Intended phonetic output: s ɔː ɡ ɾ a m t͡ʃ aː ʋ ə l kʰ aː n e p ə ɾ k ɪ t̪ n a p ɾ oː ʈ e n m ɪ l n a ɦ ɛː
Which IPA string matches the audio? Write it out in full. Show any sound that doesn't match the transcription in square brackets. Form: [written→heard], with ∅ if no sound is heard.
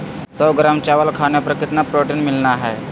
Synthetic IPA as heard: s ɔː ɡ ɾ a m t͡ʃ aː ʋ ə l kʰ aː n e p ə ɾ k ɪ t̪ n a p ɾ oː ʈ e n m ɪ l n a ɦ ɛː